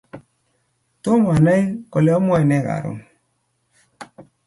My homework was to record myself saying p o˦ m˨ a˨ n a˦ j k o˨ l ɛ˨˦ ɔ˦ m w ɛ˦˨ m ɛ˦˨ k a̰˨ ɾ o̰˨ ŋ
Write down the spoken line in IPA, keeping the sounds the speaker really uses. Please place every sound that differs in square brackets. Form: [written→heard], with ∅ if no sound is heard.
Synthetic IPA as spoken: [p→t] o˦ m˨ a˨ n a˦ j k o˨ l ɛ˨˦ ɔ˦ m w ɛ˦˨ [m→n] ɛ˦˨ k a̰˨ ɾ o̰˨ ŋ